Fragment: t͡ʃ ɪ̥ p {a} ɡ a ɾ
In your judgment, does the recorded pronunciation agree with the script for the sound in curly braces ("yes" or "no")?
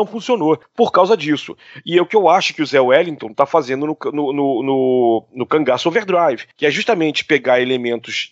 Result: no